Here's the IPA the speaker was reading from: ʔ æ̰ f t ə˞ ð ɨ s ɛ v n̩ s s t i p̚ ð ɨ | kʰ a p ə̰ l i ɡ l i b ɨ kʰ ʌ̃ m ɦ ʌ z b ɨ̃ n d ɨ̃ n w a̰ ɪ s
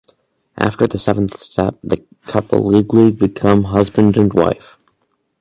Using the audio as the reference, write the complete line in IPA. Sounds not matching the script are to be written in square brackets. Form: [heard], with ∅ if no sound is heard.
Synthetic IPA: ʔ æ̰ f t ə˞ ð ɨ s ɛ v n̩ [θ] s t [ɛ] p̚ ð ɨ | kʰ [ʌ] p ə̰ l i ɡ l i b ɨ kʰ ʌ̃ m ɦ ʌ z b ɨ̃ n d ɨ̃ n w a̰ ɪ [f]

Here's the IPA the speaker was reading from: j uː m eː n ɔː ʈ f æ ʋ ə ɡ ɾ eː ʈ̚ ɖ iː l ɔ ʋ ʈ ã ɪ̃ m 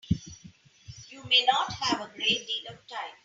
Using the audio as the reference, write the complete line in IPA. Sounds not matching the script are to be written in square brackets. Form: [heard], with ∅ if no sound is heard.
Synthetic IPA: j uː m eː n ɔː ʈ [h] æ ʋ ə ɡ ɾ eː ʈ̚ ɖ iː l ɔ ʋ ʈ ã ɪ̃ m

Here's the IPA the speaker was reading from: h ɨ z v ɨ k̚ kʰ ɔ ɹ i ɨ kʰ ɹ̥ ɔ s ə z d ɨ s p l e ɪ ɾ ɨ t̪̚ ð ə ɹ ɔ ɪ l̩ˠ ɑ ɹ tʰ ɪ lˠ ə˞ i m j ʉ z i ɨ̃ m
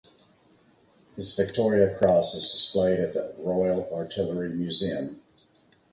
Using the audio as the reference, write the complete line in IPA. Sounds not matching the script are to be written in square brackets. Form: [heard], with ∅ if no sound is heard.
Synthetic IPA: h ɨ z v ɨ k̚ [tʰ] ɔ ɹ i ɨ kʰ ɹ̥ ɔ s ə z d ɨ s p l e ɪ ɾ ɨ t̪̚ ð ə ɹ ɔ ɪ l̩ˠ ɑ ɹ tʰ ɪ lˠ ə˞ i m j ʉ z i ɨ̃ m

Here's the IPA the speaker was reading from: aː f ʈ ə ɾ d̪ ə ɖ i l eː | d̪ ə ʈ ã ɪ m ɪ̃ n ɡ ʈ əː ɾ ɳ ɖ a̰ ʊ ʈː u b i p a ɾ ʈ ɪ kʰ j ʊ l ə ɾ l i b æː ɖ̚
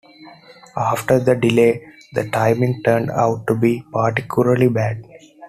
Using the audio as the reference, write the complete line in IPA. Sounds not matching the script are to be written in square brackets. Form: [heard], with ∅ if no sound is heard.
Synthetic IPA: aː f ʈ ə ɾ d̪ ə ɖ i l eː | d̪ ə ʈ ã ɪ m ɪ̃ [ŋ] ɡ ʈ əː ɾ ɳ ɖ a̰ ʊ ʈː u b i p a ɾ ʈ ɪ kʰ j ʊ l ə ɾ l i b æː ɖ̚

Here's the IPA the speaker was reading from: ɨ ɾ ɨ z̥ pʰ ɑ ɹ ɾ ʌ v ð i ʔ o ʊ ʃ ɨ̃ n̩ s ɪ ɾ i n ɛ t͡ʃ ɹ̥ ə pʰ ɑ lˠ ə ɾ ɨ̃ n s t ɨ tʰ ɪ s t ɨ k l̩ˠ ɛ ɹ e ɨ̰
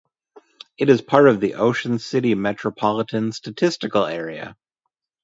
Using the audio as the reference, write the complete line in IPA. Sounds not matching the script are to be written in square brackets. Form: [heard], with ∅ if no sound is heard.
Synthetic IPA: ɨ ɾ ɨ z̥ pʰ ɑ ɹ ɾ ʌ v ð i ʔ o ʊ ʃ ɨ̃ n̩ s ɪ ɾ i [m] ɛ t͡ʃ ɹ̥ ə pʰ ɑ lˠ ə ɾ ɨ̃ n s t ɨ tʰ ɪ s t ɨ k l̩ˠ ɛ ɹ [i] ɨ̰

